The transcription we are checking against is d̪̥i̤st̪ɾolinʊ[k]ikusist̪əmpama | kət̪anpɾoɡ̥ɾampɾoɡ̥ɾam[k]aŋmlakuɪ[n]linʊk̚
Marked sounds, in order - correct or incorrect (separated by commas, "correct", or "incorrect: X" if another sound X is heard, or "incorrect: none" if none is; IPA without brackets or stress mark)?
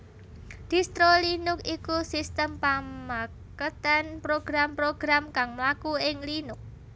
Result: correct, correct, incorrect: ŋ